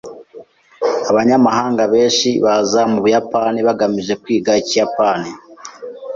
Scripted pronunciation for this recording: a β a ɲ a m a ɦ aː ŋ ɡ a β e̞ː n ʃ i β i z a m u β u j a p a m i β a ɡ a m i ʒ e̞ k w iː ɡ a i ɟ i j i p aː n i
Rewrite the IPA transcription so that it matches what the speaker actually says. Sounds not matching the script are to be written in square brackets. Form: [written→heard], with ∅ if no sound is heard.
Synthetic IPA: a β a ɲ a m a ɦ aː ŋ ɡ a β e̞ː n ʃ i β [i→a] z a m u β u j a p a [m→n] i β a ɡ a m i ʒ e̞ k w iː ɡ a i [ɟ→c] i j [i→a] p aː n i